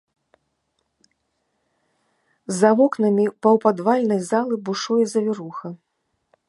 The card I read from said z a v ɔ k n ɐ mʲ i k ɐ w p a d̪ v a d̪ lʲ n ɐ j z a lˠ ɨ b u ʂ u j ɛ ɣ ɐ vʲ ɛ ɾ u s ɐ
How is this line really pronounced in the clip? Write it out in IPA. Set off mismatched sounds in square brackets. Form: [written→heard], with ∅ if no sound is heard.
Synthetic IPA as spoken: z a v ɔ k n ɐ mʲ i [k→p] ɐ w p a d̪ v a [d̪→∅] lʲ n ɐ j z a lˠ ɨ b u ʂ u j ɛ [ɣ→z] ɐ vʲ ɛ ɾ u [s→x] ɐ